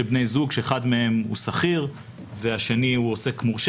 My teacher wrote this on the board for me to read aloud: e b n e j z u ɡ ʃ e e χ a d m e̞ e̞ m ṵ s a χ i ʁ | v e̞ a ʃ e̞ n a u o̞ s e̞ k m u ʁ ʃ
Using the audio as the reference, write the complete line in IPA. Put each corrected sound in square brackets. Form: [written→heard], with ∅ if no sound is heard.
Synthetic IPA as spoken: e b n e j z u ɡ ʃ e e χ a d m e̞ e̞ m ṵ s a χ i ʁ | v e̞ a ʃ e̞ n [a→i] u o̞ s e̞ k m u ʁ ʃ